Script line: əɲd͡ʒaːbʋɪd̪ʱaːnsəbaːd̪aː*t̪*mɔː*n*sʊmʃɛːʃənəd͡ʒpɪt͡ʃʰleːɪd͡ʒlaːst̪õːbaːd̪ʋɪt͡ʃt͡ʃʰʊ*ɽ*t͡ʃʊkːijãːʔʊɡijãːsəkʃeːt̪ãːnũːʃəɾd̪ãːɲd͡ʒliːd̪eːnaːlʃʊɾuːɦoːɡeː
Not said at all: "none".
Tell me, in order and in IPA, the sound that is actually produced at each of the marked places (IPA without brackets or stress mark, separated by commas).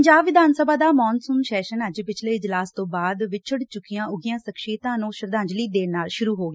none, n, ɽ